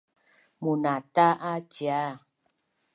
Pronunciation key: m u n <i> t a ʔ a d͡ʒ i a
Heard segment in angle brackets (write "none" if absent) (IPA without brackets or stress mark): a